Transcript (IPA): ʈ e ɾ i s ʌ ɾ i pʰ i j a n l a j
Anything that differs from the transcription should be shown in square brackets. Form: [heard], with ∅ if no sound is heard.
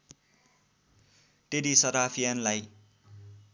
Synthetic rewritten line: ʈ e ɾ i s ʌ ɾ [a] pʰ i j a n l a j